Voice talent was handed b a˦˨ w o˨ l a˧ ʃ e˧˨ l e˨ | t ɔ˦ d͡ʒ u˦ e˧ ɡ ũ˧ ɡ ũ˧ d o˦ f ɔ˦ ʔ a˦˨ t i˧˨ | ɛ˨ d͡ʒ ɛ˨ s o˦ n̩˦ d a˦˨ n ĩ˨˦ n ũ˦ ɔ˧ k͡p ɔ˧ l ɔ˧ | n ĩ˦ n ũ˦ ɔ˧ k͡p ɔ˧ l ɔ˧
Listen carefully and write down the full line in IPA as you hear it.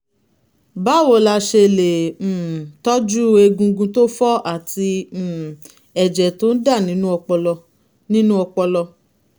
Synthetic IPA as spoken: b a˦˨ w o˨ l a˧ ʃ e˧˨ l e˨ | t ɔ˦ d͡ʒ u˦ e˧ ɡ ũ˧ ɡ ũ˧ t o˦ f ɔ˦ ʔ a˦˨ t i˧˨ | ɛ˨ d͡ʒ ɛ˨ t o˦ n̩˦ d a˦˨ n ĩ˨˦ n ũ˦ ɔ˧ k͡p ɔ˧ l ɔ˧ | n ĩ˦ n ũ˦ ɔ˧ k͡p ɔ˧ l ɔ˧